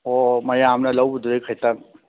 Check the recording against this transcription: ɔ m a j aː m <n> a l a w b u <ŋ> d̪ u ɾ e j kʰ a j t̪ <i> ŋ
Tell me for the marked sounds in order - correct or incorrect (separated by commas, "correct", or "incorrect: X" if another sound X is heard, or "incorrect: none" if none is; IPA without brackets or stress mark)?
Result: correct, incorrect: none, incorrect: a